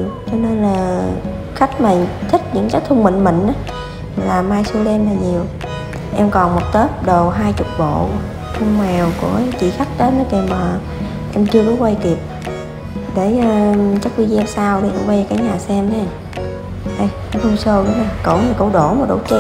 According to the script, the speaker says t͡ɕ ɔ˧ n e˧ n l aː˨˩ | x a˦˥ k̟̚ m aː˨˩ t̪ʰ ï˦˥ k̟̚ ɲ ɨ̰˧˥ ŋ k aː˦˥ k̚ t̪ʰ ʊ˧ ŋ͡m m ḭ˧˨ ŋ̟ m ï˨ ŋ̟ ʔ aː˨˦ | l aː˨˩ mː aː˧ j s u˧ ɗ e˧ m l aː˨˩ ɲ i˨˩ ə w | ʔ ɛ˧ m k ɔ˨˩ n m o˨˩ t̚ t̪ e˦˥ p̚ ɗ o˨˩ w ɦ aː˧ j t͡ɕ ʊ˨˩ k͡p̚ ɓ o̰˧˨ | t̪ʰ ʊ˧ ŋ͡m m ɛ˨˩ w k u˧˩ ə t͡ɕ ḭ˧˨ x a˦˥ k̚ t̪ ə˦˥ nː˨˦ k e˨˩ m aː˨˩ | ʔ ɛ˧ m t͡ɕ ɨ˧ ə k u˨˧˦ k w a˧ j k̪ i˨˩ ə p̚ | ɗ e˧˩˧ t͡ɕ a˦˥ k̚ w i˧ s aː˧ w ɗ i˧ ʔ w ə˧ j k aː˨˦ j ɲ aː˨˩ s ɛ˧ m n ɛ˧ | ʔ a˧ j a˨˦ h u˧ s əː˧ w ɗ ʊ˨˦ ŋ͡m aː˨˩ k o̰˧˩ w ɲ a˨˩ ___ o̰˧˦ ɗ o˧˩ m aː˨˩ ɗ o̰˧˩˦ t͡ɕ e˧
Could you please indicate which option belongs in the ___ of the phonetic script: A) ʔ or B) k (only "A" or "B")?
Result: B